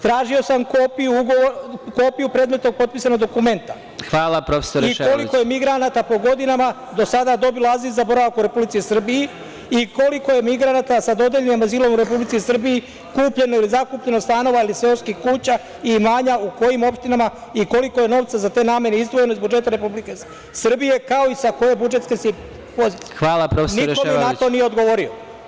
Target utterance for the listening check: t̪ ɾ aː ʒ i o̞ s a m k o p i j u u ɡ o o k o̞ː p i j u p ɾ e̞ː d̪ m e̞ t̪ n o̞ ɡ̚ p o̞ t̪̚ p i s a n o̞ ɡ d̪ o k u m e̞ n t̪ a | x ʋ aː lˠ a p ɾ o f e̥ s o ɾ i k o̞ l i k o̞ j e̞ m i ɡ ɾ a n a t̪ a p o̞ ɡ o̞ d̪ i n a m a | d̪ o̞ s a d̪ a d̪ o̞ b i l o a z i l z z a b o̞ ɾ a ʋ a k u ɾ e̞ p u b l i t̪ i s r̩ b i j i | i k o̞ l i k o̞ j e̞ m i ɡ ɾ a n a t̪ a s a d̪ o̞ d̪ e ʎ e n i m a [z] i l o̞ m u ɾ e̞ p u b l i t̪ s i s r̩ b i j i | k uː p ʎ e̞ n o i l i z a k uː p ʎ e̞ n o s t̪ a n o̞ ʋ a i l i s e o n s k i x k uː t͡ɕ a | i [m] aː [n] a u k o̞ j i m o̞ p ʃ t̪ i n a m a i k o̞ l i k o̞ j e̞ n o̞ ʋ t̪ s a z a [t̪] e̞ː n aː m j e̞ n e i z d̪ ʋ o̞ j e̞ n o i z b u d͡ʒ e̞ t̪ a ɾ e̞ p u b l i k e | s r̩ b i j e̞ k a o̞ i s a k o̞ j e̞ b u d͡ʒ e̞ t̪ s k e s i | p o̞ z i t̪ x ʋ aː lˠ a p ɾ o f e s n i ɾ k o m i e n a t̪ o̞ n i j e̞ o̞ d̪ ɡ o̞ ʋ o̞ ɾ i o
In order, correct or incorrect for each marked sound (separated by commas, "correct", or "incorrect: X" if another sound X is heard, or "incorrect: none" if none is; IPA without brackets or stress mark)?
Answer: correct, correct, incorrect: ɲ, correct